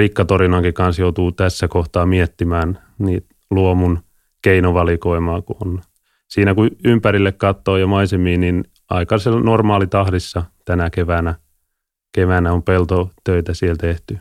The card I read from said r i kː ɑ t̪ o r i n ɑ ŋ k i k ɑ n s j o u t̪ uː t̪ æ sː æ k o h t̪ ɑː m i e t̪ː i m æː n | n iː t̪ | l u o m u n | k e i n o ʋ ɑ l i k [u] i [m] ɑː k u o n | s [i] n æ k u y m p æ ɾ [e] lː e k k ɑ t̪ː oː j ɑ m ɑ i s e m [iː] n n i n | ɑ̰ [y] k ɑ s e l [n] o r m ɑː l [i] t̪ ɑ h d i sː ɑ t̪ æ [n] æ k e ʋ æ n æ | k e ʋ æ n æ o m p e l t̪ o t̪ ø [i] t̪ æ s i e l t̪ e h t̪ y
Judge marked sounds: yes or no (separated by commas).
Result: no, yes, no, no, yes, no, yes, yes, yes, yes